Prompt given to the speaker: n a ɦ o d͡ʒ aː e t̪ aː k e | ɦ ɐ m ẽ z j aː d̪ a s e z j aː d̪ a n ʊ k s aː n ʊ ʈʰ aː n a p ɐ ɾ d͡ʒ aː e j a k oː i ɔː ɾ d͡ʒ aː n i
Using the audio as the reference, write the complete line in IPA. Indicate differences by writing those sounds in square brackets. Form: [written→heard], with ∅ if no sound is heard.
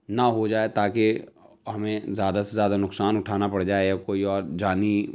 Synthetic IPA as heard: n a ɦ o d͡ʒ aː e t̪ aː k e | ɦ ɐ m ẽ z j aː d̪ a s e z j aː d̪ a n ʊ k s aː n ʊ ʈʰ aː n a p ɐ [ɾ→ɽ] d͡ʒ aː e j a k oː i ɔː ɾ d͡ʒ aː n i